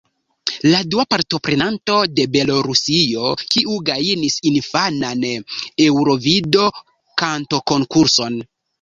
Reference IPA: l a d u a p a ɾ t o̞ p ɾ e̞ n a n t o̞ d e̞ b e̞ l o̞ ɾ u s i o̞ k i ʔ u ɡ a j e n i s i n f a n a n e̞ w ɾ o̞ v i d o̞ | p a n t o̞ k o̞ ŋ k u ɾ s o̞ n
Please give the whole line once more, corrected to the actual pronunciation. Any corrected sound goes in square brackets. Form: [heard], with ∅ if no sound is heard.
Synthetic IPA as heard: l a d u a p a ɾ t o̞ p ɾ e̞ n a n t o̞ d e̞ b e̞ l o̞ ɾ u s i o̞ k i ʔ u ɡ a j [i] n i s i n f a n a n e̞ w ɾ o̞ v i d o̞ | [k] a n t o̞ k o̞ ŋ k u ɾ s o̞ n